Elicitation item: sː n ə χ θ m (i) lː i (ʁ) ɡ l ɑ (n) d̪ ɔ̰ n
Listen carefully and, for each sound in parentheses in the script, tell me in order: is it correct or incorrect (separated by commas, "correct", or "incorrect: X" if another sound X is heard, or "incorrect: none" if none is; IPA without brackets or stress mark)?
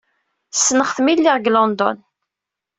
correct, correct, correct